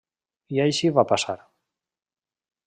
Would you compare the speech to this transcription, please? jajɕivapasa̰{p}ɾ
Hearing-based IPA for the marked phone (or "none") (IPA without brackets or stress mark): none